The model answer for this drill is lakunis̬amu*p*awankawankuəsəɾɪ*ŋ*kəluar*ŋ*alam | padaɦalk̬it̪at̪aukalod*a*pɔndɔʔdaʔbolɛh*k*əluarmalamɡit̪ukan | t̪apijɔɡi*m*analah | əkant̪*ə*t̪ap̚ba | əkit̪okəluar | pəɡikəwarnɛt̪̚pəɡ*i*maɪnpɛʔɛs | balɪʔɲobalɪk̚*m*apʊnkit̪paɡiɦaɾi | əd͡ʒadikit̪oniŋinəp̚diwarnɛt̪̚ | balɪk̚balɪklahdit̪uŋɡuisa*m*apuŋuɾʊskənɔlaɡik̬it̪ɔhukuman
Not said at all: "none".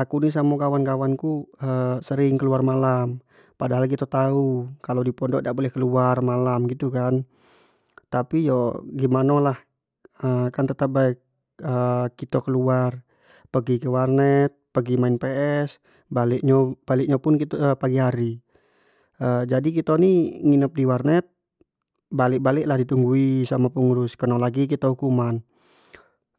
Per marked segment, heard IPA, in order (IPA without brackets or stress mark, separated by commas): k, ŋ, m, i, k, m, ə, i, ɲ, m